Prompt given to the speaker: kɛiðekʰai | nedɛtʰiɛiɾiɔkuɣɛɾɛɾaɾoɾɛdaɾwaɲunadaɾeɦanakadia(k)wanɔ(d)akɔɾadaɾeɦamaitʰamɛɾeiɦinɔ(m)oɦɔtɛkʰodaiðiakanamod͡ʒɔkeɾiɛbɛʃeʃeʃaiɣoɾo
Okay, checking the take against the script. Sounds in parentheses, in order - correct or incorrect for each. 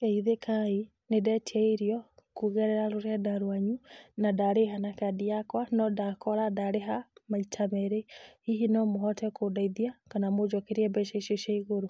correct, correct, correct

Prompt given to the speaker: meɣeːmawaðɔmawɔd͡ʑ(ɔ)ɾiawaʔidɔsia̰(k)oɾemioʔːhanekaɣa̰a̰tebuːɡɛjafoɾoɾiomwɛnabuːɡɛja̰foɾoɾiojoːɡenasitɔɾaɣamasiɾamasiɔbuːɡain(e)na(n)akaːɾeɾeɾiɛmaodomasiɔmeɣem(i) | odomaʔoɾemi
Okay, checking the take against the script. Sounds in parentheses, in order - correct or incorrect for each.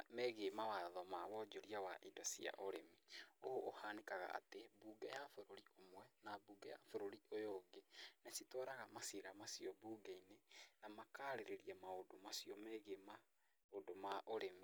incorrect, incorrect, correct, incorrect, incorrect

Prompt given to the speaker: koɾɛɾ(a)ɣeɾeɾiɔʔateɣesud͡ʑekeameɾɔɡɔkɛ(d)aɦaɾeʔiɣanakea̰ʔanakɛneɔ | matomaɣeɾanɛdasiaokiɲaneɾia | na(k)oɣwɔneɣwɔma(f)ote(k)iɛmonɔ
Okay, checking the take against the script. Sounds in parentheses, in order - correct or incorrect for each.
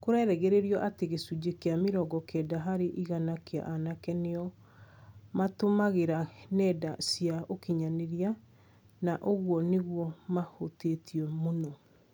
incorrect, correct, incorrect, incorrect, incorrect

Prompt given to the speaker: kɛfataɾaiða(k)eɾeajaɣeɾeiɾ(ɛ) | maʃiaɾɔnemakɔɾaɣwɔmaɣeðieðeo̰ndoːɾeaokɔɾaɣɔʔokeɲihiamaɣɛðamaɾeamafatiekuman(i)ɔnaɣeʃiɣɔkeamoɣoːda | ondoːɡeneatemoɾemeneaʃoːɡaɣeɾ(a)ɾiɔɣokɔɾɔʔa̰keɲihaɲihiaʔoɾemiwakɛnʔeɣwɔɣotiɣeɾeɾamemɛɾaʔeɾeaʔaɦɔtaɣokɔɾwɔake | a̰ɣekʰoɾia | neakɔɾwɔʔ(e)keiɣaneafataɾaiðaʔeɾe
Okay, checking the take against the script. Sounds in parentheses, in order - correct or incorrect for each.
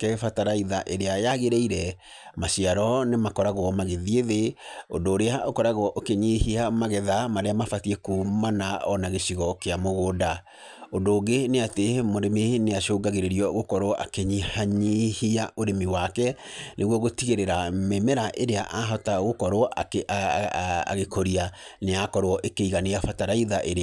incorrect, correct, incorrect, incorrect, correct

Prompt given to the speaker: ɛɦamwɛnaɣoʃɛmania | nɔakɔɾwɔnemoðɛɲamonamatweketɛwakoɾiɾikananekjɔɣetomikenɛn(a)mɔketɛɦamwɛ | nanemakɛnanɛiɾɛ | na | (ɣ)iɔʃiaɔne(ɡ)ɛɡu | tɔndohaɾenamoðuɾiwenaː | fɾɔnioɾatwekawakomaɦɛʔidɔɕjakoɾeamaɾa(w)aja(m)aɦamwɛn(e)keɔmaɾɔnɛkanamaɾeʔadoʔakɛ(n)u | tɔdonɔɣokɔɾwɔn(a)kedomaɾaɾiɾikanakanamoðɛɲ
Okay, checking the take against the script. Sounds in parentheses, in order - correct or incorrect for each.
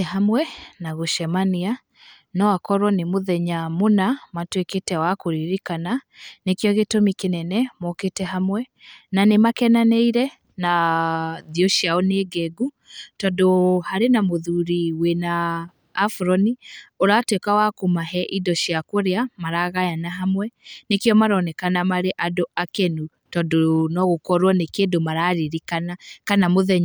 incorrect, incorrect, correct, incorrect, incorrect, correct, correct, incorrect

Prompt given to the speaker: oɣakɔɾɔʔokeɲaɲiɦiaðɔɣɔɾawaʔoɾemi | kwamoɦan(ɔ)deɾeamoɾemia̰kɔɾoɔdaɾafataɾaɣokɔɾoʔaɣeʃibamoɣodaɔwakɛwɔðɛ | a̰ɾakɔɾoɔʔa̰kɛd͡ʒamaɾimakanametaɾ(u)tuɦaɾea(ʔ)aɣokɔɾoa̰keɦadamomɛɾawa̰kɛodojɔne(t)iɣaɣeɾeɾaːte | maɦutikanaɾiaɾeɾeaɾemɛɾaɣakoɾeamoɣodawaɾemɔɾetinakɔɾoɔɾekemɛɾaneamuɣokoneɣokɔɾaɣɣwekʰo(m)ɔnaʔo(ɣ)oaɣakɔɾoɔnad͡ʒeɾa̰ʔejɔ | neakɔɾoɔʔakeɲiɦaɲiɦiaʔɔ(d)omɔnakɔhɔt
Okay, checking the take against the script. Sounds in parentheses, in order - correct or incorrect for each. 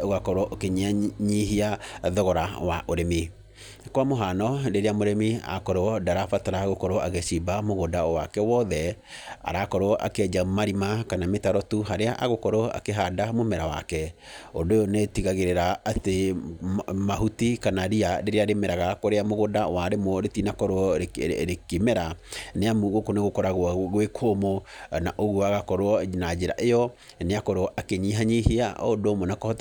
correct, incorrect, correct, correct, correct, correct, correct

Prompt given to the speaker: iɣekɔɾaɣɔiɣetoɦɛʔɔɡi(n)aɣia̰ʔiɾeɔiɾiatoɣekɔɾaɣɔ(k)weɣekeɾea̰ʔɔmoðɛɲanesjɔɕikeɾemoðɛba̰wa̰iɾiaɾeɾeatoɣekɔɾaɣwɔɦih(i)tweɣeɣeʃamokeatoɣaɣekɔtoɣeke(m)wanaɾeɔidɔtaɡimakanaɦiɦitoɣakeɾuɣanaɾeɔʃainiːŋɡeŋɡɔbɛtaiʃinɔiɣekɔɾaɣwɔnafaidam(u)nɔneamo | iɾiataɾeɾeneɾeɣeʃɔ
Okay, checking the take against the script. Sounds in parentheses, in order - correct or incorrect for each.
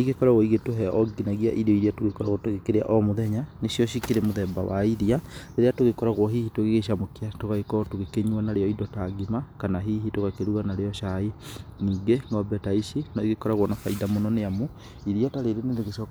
correct, incorrect, correct, incorrect, incorrect

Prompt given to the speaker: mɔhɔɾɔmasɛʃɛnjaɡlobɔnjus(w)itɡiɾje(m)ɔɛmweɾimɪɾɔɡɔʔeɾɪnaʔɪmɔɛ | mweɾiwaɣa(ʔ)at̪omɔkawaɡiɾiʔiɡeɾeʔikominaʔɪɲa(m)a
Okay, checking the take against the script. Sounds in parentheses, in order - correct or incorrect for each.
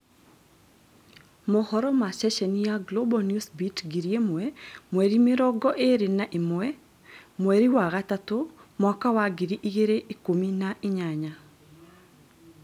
incorrect, correct, incorrect, incorrect

